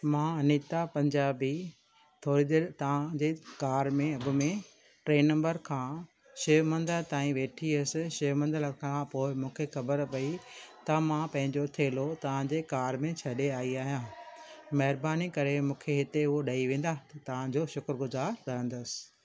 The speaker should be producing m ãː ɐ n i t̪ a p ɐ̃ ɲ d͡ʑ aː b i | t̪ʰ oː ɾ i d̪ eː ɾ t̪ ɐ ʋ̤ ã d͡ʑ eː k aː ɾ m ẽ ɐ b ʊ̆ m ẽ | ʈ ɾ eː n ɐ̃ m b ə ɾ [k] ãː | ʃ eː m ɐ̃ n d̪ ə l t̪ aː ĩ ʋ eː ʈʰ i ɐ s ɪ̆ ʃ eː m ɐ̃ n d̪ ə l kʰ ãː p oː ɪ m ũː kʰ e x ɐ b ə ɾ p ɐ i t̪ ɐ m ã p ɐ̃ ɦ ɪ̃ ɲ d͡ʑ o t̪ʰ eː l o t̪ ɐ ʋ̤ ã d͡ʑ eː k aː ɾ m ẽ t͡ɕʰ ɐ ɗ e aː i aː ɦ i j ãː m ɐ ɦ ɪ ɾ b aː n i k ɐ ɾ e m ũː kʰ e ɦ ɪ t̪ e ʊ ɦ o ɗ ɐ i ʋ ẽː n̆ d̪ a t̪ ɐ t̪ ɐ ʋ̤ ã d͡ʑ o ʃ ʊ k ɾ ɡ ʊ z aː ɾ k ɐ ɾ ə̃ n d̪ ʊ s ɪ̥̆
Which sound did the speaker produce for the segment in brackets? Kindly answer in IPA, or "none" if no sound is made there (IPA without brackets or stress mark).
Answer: kʰ